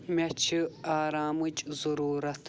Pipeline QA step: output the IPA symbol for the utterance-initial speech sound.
m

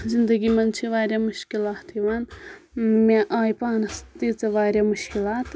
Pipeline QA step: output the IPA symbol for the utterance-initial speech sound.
z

